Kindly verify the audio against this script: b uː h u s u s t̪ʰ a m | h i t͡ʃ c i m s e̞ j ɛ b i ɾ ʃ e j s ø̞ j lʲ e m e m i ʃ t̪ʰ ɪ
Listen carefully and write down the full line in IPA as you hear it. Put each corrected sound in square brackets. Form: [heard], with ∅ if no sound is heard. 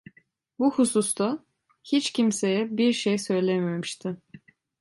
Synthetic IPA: b [u] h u s u s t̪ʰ a [∅] | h i t͡ʃ c i m s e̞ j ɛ b i ɾ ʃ e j s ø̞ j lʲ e m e m i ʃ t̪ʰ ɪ